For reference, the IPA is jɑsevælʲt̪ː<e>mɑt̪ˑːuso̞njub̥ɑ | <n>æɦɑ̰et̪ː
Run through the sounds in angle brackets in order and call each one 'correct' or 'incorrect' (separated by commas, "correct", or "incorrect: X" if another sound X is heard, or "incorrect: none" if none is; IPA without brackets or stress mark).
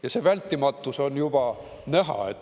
incorrect: i, correct